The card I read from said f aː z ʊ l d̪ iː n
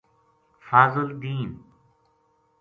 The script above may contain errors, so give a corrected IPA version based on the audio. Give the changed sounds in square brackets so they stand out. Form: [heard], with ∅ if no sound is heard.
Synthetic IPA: f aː z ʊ l d̪ iː n